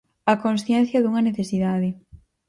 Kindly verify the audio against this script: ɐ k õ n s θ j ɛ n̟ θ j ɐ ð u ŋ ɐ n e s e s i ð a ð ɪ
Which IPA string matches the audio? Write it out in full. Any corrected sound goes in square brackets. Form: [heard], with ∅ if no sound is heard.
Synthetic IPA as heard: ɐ k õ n s θ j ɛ n̟ θ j ɐ ð u ŋ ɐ n e [θ] e s i ð a ð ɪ